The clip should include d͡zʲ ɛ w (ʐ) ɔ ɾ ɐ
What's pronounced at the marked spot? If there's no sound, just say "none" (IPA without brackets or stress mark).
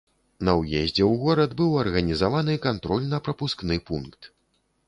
ɣ